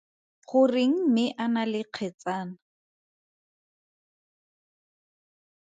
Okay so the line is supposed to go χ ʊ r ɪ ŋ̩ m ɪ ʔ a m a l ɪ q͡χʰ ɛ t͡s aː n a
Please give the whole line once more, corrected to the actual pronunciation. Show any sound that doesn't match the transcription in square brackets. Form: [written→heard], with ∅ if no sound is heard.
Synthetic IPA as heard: χ ʊ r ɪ ŋ̩ m ɪ ʔ a [m→n] a l ɪ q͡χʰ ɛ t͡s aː n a